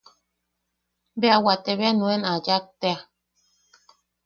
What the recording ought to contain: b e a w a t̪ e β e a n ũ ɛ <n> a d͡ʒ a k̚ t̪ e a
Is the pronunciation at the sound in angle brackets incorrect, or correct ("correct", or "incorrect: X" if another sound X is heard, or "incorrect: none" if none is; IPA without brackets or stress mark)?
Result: correct